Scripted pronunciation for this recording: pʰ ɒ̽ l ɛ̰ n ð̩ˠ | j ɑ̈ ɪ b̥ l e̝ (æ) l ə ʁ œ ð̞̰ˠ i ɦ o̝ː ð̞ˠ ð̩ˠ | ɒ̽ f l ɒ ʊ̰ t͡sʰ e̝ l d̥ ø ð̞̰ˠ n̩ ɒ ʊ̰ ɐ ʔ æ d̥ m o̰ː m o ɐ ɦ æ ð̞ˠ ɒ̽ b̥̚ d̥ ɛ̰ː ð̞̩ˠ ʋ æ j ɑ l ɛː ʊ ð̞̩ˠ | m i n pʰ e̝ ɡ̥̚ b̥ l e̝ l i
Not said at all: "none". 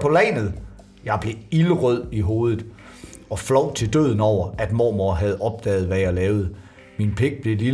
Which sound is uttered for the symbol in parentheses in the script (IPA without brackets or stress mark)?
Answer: i